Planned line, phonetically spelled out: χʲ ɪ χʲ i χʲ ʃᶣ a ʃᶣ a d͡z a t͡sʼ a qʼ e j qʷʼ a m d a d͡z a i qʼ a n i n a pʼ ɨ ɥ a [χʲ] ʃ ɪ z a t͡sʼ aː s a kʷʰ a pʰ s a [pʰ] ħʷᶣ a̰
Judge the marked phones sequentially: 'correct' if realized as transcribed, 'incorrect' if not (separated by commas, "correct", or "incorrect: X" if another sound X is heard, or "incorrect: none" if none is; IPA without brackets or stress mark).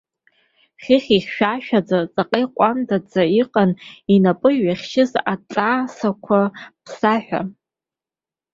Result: correct, incorrect: none